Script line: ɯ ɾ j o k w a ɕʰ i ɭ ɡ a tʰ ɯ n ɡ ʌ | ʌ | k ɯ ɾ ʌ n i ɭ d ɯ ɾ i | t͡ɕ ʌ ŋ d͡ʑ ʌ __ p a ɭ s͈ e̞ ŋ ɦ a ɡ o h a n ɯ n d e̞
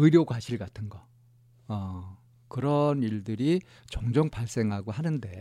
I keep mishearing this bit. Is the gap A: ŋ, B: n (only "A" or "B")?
A